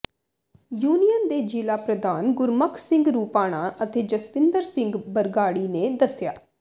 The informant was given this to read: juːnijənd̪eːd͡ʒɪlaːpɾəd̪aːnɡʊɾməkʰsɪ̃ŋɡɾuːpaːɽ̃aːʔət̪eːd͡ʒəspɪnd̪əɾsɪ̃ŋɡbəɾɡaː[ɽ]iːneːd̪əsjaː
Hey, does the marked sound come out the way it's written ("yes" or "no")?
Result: yes